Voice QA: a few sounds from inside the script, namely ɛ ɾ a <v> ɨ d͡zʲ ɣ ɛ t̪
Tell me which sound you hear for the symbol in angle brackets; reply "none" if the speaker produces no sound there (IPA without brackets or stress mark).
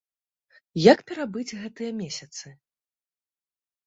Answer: b